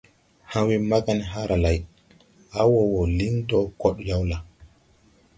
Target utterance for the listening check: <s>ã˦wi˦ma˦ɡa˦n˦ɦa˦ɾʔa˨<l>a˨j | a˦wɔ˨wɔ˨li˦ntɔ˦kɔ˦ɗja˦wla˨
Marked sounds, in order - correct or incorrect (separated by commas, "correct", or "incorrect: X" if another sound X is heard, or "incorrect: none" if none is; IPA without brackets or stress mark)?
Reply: incorrect: h, correct